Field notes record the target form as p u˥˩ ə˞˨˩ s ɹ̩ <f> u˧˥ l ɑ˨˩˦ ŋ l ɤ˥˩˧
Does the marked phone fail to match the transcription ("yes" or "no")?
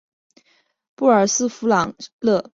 no